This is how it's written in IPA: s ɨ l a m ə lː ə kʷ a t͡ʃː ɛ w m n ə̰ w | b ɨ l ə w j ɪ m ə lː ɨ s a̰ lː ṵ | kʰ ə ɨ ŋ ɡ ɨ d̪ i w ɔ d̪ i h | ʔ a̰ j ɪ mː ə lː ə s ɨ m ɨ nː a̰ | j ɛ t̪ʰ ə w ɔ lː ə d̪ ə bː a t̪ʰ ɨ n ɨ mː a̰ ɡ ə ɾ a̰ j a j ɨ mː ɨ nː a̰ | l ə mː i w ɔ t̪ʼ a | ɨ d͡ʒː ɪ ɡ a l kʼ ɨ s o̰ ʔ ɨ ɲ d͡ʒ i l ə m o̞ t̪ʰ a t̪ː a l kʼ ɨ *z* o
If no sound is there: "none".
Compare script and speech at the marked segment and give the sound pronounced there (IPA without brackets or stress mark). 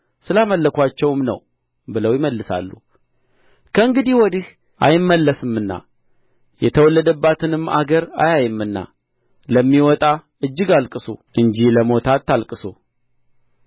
s